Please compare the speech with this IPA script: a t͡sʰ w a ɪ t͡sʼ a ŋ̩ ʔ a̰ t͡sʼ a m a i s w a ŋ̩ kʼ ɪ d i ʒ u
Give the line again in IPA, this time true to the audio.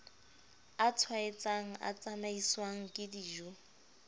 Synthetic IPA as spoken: a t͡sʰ w a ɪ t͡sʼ a ŋ̩ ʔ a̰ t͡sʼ a m a i s w a ŋ̩ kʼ ɪ d i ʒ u

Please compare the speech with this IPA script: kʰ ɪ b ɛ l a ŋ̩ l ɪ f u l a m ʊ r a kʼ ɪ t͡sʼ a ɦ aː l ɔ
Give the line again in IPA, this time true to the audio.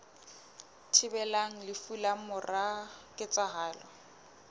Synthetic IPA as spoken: tʰ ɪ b ɛ l a ŋ̩ l ɪ f u l a m ʊ r a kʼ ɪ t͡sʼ a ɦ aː l ɔ

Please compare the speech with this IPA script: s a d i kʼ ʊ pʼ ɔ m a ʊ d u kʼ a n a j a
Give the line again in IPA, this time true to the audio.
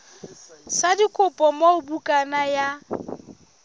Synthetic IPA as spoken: s a d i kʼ ʊ pʼ ɔ m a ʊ b u kʼ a n a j a

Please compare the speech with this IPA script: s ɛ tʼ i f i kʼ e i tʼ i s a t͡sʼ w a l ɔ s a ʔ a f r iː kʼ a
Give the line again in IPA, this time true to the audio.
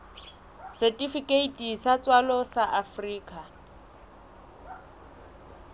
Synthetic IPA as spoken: s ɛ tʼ i f i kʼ e i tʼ i s a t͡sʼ w a l ɔ s a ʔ a f r iː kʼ a

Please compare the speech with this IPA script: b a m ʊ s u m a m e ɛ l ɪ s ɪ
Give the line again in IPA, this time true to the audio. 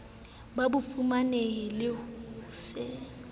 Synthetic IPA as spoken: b a b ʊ f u m a n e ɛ l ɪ s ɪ

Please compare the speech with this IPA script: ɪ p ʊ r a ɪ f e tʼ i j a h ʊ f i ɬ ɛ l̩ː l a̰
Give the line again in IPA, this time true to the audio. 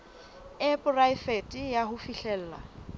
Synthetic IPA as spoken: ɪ p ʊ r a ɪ f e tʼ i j a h ʊ f i ɬ ɛ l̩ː l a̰

